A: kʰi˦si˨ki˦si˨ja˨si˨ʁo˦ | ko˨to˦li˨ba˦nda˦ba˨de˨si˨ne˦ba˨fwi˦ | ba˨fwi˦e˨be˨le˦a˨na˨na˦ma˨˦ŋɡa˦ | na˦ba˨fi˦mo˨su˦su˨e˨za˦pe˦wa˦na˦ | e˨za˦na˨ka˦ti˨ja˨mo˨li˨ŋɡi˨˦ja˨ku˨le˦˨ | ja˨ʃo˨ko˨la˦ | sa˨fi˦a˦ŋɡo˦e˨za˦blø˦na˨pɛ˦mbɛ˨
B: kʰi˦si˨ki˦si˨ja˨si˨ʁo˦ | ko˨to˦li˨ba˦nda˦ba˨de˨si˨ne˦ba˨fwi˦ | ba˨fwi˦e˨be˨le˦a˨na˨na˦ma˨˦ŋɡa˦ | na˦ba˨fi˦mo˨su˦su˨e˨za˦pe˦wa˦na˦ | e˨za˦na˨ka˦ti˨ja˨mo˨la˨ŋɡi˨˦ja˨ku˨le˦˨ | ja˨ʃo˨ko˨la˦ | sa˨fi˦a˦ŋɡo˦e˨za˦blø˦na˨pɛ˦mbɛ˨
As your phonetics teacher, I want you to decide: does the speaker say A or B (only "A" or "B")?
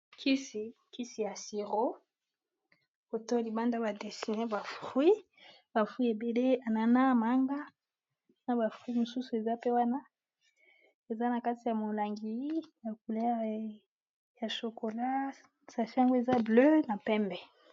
B